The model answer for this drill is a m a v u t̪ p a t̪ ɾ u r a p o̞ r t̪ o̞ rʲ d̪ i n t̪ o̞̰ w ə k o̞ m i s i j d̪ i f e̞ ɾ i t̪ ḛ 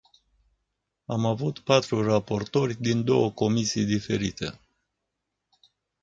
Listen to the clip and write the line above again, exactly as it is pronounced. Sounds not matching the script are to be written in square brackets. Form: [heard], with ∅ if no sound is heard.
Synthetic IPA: a m a v u t̪ p a t̪ ɾ u r a p o̞ r t̪ o̞ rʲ d̪ i n [d̪] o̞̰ w ə k o̞ m i s i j d̪ i f e̞ ɾ i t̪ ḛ